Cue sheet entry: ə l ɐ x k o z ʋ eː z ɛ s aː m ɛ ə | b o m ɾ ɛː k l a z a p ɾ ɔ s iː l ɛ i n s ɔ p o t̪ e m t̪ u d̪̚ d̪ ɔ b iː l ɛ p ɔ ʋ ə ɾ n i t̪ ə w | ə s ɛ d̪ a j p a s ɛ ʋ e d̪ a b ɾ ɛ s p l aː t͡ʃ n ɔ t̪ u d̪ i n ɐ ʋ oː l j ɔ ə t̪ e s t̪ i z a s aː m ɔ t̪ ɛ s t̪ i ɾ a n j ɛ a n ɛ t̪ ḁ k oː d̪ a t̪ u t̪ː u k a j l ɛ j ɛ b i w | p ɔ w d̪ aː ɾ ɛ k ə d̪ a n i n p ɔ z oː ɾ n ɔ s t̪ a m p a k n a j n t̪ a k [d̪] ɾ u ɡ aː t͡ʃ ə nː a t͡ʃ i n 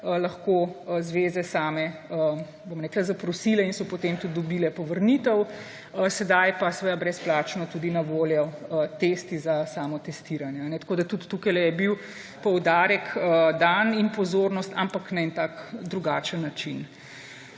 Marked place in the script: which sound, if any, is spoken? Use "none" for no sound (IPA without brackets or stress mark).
d̪